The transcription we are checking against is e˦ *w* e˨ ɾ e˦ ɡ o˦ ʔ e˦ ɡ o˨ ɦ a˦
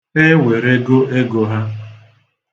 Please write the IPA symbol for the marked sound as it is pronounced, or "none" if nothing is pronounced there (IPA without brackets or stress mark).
w